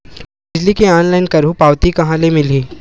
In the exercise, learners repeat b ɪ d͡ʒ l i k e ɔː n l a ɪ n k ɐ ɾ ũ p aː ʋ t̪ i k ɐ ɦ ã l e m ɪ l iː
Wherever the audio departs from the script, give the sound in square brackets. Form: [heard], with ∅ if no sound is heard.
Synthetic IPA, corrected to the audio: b ɪ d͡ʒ l i k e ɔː n l a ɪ n k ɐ ɾ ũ p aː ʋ t̪ i k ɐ ɦ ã l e m ɪ l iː